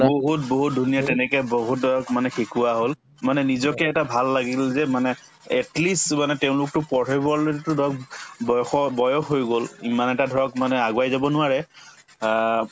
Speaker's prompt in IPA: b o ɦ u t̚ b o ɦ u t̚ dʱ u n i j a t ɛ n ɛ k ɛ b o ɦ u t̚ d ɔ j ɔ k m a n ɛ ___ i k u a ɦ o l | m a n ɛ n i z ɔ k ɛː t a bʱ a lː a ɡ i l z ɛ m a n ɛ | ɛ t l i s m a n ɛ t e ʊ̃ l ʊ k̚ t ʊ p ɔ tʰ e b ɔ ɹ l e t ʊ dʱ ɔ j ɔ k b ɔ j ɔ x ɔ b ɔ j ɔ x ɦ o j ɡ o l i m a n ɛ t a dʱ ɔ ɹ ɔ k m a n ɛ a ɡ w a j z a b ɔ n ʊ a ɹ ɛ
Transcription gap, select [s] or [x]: x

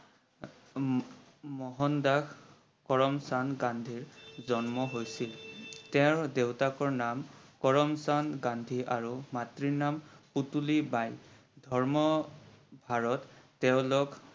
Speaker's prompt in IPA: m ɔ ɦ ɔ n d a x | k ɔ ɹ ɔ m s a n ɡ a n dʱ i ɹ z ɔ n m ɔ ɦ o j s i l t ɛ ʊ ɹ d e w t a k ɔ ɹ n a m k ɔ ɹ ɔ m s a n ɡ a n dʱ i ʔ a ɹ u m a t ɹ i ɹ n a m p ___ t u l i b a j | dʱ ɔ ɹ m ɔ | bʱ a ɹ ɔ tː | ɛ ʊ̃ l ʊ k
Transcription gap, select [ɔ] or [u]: u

